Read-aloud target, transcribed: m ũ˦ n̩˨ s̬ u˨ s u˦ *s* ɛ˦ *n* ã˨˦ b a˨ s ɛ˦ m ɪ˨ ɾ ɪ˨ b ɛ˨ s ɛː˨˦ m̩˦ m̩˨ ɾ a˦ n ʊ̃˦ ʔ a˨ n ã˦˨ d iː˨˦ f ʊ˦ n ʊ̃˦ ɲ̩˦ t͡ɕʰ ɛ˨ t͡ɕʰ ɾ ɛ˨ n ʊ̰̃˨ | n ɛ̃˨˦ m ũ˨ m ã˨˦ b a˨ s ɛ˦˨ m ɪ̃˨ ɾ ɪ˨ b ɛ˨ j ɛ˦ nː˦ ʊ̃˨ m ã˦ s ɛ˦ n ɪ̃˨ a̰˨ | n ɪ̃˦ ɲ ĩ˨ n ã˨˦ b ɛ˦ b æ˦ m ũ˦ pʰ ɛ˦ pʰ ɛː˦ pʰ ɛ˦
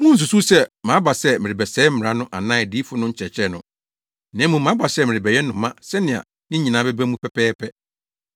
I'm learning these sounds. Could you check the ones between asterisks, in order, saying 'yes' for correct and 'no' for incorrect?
yes, no

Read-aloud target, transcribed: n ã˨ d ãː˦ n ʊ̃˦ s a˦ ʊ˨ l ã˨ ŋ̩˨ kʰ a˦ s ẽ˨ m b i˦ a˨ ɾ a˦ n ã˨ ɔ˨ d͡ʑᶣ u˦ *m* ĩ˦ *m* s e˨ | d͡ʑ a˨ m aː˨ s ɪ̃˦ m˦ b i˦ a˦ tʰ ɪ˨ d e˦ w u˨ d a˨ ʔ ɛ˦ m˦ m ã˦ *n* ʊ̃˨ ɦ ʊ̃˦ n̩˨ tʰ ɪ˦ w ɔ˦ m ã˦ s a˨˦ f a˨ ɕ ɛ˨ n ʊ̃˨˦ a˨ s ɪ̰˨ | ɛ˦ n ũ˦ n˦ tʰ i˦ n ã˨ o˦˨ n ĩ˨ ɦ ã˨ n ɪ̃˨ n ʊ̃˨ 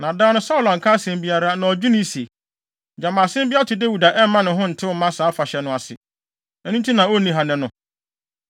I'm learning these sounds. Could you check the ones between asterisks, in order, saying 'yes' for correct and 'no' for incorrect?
no, no, yes

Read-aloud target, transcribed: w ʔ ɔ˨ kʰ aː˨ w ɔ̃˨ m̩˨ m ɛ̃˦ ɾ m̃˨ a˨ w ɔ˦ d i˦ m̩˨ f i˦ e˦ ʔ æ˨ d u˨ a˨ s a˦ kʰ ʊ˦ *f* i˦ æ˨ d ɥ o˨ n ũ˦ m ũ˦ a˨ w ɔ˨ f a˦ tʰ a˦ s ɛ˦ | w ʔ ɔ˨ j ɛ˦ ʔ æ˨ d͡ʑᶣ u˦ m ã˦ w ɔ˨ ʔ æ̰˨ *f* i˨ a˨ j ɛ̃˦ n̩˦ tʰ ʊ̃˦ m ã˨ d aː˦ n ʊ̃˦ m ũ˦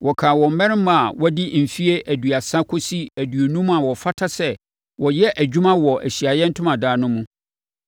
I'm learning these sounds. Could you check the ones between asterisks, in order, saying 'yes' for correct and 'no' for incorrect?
no, no

